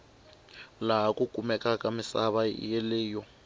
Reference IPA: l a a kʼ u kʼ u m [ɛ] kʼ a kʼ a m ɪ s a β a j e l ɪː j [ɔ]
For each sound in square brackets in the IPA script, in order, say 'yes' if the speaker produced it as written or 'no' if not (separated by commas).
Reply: yes, yes